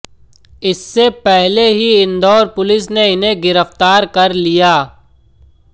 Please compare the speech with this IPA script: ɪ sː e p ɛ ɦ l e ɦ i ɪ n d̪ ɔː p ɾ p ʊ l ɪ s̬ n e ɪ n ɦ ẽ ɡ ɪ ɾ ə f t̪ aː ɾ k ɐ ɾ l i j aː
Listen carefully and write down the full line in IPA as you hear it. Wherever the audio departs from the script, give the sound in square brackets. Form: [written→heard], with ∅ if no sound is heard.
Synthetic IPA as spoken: ɪ sː e p ɛ ɦ l e ɦ i ɪ n d̪ ɔː [p→∅] ɾ p ʊ l ɪ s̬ n e ɪ n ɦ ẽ ɡ ɪ ɾ ə f t̪ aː ɾ k ɐ ɾ l i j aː